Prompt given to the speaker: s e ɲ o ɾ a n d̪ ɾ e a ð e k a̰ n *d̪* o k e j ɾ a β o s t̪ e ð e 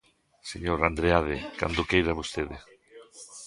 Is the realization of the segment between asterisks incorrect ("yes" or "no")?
no